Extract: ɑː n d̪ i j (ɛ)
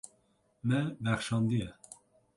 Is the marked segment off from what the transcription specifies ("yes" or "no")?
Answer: no